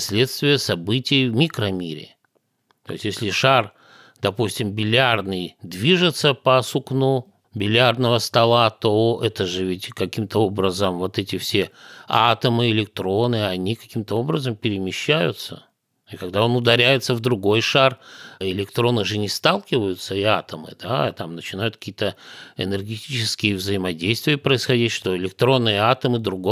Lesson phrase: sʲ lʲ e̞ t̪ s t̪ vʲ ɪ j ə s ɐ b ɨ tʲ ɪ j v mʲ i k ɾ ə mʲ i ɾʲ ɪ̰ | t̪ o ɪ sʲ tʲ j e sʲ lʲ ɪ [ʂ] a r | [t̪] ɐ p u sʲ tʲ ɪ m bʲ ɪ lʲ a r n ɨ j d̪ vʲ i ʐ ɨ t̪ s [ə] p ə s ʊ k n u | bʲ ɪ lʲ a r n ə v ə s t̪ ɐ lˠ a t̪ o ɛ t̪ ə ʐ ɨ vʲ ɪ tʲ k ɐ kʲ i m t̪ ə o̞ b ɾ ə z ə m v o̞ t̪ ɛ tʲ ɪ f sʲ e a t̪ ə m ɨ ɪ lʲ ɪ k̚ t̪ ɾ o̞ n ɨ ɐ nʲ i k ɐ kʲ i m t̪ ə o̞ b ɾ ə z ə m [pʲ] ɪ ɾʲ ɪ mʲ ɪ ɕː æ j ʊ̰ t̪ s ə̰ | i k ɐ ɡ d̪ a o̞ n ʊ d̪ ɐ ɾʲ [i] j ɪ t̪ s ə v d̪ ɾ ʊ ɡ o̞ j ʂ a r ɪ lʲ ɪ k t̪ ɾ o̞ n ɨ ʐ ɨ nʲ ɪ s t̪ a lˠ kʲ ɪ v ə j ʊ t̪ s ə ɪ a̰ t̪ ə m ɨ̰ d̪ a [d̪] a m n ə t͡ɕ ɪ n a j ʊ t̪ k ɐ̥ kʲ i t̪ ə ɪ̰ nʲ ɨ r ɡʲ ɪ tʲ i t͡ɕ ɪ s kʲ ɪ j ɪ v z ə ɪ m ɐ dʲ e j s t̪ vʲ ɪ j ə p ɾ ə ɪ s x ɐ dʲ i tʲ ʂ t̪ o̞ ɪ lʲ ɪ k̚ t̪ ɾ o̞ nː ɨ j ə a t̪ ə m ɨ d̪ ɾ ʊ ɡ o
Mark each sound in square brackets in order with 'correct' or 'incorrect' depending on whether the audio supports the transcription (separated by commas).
correct, incorrect, correct, correct, incorrect, incorrect